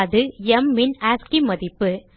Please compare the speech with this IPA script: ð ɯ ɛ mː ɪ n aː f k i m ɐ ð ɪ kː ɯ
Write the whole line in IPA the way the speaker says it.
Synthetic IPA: ð ɯ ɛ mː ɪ n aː s k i m ɐ ð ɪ pː ɯ

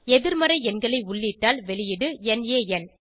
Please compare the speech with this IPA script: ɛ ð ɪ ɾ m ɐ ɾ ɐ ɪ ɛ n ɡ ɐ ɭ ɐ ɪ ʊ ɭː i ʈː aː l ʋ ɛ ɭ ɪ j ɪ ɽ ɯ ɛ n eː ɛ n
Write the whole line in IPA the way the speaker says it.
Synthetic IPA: ɛ ð ɪ ɾ m ɐ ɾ ɐ ɪ ɛ n ɡ ɐ ɭ ɐ ɪ ʊ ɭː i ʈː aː l ʋ ɛ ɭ ɪ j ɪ ɽ ɯ ɛ n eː ɛ n

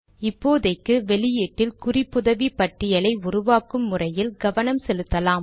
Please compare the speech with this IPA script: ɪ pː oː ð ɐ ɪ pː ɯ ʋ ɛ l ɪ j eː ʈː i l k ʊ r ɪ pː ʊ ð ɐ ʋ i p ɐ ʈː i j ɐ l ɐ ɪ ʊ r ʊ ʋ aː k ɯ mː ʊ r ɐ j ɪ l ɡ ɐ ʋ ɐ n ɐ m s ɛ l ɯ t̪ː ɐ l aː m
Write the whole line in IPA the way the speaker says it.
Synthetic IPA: ɪ pː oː ð ɐ ɪ kː ɯ ʋ ɛ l ɪ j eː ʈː ɪ l k ʊ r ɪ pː ʊ ð ɐ ʋ i p ɐ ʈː ɪ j ɐ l ɐ ɪ ʊ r ʊ ʋ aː k ɯ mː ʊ r ɐ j ɪ l ɡ ɐ ʋ ɐ n ɐ m s ɛ l ɯ t̪ː ɐ l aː m

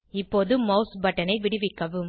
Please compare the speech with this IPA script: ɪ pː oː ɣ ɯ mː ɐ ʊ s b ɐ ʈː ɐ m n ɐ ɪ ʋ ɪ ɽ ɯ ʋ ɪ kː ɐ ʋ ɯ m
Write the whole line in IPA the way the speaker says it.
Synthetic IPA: ɪ pː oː ð ɯ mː ɐ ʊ s b ɐ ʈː ɐ n ɐ ɪ ʋ ɪ ɽ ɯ ʋ ɪ kː ɐ ʋ ɯ m

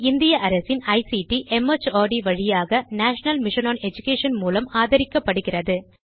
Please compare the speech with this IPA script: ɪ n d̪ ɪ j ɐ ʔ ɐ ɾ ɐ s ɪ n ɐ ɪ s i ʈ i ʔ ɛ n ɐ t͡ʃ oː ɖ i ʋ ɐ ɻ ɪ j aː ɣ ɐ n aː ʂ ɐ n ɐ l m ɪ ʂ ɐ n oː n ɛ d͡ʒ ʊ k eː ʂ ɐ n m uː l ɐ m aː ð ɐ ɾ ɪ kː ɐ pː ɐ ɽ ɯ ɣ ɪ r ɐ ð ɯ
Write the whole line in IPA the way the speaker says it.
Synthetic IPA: ɪ n d̪ ɪ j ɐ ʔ ɐ ɾ ɐ s ɪ n ɐ ɪ s i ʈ i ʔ ɛ m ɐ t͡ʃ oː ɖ i ʋ ɐ ɻ ɪ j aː ɣ ɐ n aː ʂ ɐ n ɐ l m ɪ ʂ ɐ n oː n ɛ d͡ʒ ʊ k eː ʂ ɐ n m uː l ɐ m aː ð ɐ ɾ ɪ kː ɐ pː ɐ ɽ ɯ ɣ ɪ r ɐ ð ɯ

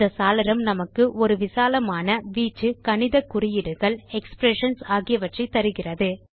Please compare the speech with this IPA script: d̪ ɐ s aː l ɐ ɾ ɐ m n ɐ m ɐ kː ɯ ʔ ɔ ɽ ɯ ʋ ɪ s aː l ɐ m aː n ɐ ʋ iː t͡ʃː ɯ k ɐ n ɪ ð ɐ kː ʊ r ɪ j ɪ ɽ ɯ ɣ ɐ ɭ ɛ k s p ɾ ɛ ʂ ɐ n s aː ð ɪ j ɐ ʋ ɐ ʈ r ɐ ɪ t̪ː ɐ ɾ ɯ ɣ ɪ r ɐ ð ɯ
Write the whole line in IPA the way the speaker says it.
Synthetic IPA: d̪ ɐ s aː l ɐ ɾ ɐ m n ɐ m ɐ kː ɯ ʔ ɔ ɾ ɯ ʋ ɪ s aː l ɐ m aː n ɐ ʋ iː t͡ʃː ɯ k ɐ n ɪ ð ɐ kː ʊ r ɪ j ɪ ɽ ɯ ɣ ɐ ɭ ɛ k s p ɾ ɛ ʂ ɐ n s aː ɣ ɪ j ɐ ʋ ɐ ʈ r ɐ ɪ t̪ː ɐ ɾ ɯ ɣ ɪ r ɐ ð ɯ

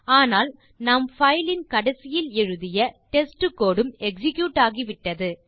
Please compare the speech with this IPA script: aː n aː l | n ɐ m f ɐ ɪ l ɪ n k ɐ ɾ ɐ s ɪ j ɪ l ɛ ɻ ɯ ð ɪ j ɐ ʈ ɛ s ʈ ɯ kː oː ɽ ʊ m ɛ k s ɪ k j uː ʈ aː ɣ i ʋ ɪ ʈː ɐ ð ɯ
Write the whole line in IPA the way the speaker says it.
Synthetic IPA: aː n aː l | n ɐ m f ɐ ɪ l ɪ n k ɐ ɽ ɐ s ɪ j ɪ l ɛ ɻ ɯ ð ɪ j ɐ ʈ ɛ s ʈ ɯ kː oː ɽ ɯ m ɛ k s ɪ k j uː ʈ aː ɣ i ʋ ɪ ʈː ɐ ð ɯ

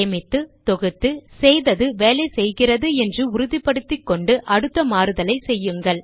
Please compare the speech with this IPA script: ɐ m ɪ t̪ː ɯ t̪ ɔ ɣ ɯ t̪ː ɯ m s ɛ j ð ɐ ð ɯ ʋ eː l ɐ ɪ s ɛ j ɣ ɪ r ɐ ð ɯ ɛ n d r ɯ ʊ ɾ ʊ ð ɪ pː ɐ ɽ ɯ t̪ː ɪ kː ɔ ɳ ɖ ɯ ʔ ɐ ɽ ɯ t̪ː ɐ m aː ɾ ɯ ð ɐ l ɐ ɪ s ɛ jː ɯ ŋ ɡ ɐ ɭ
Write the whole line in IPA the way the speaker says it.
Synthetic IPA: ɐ m ɪ t̪ː ɯ t̪ ɔ ɣ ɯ t̪ː ɯ s ɛ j ð ɐ ð ɯ ʋ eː l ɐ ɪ s ɛ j ɣ ɪ r ɐ ð ɯ ɛ n d r ɯ ʊ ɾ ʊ ð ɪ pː ɐ ɽ ɯ t̪ː ɪ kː ɔ ɳ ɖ ɯ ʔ ɐ ɽ ɯ t̪ː ɐ m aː ɾ ɯ ð ɐ l ɐ ɪ s ɛ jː ɯ ŋ ɡ ɐ ɭ

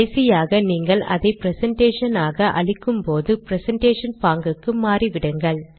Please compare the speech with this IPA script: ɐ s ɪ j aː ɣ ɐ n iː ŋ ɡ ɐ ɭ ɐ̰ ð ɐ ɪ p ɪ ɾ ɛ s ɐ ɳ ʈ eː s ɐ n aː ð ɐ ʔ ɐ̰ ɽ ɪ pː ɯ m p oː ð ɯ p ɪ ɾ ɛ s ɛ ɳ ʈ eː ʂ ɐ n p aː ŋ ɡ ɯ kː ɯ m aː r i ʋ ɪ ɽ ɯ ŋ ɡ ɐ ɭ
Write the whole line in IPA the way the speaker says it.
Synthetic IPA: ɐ s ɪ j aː ɣ ɐ n iː ŋ ɡ ɐ ɭ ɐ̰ ð ɐ ɪ p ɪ ɾ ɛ s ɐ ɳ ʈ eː ʂ ɐ n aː ɣ ɐ ʔ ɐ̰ ɭ ɪ kː ɯ m p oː ð ɯ p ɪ ɾ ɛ s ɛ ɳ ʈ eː ʂ ɐ n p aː ŋ ɡ ɯ kː ɯ m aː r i ʋ ɪ ɽ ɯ ŋ ɡ ɐ ɭ

